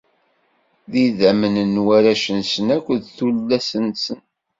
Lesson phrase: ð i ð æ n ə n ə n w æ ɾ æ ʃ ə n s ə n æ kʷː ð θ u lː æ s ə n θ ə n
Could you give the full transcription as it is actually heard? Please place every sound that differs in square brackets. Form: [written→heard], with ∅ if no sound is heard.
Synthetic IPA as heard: ð i ð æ [n→m] ə n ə n w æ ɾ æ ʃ ə n s ə n æ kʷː ð θ u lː æ s ə n [θ→s] ə n